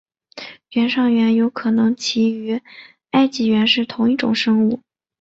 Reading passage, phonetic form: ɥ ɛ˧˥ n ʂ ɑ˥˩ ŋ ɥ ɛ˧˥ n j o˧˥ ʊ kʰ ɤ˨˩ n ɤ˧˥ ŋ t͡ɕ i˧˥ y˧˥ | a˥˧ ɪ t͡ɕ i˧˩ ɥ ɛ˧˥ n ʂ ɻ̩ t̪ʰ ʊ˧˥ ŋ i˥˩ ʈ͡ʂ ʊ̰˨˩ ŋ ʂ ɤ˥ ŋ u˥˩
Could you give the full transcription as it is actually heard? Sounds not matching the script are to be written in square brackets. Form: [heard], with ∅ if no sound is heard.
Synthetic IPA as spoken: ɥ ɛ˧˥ n ʂ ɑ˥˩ ŋ ɥ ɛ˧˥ n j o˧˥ ʊ kʰ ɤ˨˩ n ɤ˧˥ ŋ [t͡ɕʰ] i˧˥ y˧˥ | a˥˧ ɪ t͡ɕ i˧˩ ɥ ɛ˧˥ n ʂ ɻ̩ t̪ʰ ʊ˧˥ ŋ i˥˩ ʈ͡ʂ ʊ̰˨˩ ŋ ʂ ɤ˥ ŋ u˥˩